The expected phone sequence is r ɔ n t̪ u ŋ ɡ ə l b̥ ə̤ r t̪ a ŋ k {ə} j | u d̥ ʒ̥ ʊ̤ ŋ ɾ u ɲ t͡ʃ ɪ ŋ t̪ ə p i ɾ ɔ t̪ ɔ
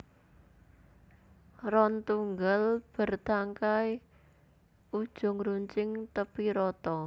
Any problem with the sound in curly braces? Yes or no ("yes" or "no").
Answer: yes